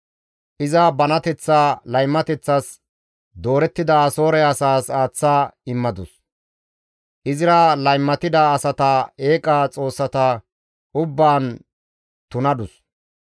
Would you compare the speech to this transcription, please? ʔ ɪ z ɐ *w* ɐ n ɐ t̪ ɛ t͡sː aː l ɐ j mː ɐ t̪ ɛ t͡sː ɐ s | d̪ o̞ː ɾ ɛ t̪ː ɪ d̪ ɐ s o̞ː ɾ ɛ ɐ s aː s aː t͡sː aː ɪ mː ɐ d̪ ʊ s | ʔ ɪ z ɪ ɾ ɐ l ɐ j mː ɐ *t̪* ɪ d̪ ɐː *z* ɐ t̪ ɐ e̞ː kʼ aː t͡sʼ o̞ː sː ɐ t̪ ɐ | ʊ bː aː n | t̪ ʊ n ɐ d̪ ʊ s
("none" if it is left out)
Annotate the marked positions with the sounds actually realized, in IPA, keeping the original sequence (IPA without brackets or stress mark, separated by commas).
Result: b, t̪, s